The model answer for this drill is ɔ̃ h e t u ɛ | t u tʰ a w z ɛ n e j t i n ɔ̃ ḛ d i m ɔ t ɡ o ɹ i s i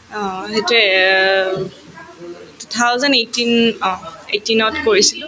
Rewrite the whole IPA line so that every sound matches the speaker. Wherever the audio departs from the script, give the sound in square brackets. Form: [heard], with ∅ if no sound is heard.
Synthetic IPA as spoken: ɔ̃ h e t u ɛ | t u tʰ a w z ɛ n e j t i n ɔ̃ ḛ [t] i [n] ɔ t [k] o ɹ i s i